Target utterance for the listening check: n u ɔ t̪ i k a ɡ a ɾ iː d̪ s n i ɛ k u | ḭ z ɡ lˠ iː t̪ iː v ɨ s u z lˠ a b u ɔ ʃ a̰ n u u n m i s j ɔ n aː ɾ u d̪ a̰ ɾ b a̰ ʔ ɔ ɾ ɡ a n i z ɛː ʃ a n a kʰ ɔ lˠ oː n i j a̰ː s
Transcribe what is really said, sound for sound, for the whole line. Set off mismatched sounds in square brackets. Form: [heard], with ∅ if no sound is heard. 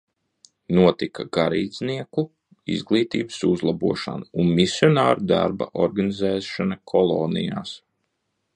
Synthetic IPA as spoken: n u ɔ t̪ i k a ɡ a ɾ iː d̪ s n i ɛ k u | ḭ z ɡ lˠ iː t̪ iː [b] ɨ s u z lˠ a b u ɔ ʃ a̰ n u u n m i s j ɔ n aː ɾ u d̪ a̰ ɾ b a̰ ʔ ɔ ɾ ɡ a n i z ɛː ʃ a n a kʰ ɔ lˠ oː n i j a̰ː s